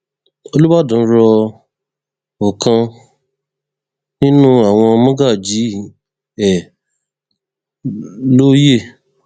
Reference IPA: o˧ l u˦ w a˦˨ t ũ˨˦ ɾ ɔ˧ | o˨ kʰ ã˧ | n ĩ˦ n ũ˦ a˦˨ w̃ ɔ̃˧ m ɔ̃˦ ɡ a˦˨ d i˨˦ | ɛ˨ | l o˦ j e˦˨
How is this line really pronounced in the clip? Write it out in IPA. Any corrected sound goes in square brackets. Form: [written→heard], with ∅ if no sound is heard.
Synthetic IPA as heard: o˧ l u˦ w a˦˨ [t→d] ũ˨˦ ɾ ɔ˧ | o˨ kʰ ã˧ | n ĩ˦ n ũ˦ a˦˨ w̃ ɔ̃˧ m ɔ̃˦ ɡ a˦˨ [d→d͡ʒ] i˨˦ | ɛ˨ | l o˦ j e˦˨